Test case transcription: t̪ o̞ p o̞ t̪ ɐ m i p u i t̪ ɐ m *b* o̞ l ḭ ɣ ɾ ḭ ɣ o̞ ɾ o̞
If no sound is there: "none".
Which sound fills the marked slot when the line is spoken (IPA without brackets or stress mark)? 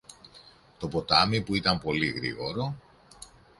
p